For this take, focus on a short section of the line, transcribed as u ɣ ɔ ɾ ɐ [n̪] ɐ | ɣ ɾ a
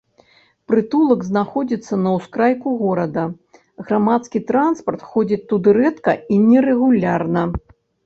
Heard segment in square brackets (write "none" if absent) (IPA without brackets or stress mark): d̪